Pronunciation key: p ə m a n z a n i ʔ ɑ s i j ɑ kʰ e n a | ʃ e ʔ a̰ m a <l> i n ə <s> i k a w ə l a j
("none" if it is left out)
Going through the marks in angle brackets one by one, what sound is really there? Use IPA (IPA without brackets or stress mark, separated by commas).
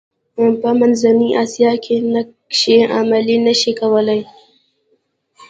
l, ʃ